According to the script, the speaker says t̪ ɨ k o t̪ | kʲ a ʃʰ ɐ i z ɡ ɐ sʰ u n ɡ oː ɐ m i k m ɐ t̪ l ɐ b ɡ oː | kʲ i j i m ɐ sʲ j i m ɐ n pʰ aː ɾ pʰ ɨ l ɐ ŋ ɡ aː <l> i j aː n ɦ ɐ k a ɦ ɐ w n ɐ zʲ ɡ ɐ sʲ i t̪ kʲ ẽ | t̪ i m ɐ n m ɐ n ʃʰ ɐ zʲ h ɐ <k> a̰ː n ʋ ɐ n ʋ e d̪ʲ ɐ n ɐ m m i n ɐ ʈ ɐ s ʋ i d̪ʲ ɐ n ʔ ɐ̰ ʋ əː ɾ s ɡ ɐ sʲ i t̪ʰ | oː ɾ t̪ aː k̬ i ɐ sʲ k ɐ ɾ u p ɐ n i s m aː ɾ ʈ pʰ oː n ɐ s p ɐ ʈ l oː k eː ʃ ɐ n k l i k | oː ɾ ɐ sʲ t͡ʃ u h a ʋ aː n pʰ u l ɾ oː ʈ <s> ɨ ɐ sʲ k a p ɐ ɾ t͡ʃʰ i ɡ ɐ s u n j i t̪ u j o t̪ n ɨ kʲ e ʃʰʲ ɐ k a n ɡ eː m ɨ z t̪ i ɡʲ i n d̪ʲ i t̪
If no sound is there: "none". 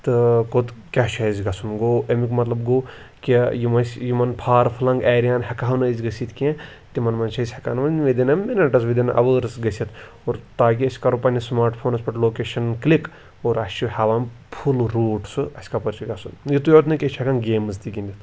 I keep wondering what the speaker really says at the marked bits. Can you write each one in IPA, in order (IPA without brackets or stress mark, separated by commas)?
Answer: ɾ, k, s